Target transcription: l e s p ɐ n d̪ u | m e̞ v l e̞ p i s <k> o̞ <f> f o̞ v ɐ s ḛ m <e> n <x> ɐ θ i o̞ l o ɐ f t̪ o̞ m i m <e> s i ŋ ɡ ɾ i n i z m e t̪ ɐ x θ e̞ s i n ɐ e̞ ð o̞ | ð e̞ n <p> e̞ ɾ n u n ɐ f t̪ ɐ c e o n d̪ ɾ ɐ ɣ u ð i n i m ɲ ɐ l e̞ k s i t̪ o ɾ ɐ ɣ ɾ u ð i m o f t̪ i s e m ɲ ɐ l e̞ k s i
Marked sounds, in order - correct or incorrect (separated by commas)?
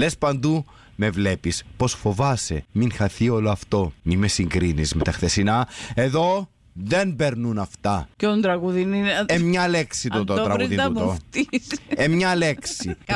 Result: incorrect, incorrect, incorrect, correct, correct, incorrect